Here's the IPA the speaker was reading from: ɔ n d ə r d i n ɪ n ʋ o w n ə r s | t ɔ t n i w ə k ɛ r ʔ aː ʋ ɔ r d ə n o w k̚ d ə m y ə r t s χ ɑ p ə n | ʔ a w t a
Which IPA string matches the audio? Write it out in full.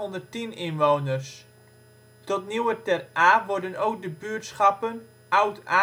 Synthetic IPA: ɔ n d ə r t i n ɪ n ʋ o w n ə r s | t ɔ t n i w ə t ɛ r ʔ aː ʋ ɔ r d ə n o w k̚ d ə b y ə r t s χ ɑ p ə n | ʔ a w t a